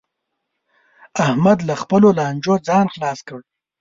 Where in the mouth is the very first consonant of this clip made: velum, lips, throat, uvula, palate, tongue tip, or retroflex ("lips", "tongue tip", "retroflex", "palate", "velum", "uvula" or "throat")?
throat